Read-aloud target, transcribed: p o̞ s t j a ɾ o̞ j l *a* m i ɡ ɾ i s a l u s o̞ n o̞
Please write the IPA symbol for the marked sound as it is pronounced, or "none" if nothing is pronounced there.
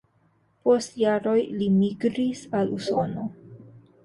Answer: i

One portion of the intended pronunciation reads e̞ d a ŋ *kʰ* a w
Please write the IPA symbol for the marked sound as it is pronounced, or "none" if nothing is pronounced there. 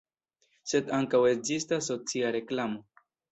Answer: k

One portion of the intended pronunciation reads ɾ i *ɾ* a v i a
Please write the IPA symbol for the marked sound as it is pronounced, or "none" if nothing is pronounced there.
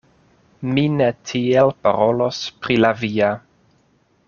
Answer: l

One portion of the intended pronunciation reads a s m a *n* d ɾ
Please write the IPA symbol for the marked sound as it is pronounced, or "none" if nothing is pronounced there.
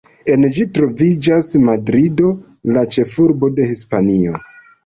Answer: none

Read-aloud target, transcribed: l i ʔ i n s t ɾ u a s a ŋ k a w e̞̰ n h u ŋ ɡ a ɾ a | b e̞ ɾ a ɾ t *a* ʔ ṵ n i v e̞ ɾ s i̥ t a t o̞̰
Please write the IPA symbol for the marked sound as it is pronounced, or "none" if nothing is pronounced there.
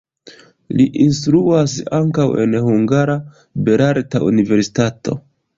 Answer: a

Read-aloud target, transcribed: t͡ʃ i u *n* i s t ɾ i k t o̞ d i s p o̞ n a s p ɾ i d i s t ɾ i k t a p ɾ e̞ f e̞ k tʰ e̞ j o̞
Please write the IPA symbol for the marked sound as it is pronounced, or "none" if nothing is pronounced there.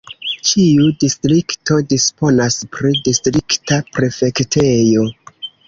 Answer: d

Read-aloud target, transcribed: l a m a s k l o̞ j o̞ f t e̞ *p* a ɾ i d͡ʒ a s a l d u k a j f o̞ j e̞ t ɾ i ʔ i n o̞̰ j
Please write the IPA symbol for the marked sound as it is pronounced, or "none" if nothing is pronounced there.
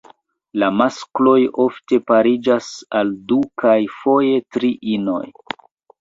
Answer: p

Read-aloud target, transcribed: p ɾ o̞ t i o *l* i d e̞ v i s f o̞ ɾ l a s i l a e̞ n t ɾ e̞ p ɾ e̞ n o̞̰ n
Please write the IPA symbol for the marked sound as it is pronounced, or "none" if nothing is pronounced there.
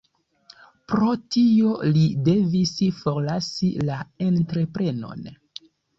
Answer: l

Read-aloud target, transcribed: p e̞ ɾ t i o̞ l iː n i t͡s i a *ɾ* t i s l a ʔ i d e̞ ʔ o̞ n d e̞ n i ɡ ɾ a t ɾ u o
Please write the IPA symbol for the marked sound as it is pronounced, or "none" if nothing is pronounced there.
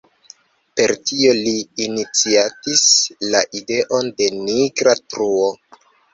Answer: none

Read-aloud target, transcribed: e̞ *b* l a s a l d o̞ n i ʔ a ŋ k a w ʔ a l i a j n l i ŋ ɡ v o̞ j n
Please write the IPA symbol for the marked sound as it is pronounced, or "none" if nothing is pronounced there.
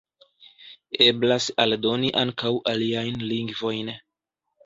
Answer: b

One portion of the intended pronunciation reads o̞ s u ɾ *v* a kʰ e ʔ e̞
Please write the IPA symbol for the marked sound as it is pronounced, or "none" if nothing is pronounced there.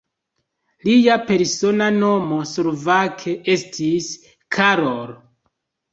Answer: v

